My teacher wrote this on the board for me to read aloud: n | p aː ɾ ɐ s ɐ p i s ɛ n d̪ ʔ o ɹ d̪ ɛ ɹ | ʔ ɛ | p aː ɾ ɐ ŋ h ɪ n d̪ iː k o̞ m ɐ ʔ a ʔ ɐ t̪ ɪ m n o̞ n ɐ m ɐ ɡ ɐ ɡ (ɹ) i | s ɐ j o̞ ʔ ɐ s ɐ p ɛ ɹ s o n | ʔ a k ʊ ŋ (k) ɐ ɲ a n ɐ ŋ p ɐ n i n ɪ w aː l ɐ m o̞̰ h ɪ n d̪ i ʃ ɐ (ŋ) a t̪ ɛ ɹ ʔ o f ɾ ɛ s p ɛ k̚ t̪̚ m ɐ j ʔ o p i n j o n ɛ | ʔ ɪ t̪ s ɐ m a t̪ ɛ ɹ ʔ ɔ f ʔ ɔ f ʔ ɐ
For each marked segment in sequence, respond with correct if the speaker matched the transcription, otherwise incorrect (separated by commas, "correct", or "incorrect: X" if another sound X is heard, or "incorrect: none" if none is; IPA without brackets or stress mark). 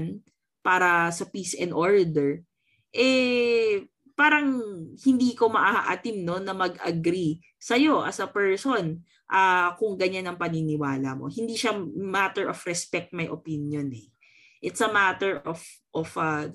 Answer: incorrect: ɾ, incorrect: ɡ, incorrect: m